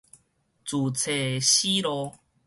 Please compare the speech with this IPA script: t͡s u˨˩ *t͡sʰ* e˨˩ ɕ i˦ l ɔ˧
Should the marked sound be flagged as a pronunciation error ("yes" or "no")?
no